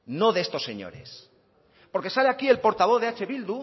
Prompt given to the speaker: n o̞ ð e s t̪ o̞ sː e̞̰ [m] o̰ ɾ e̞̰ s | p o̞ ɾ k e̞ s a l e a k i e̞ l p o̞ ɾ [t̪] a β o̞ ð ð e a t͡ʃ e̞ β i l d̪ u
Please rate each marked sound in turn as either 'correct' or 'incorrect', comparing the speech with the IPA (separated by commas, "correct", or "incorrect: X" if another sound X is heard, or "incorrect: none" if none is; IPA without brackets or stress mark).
incorrect: ɲ, correct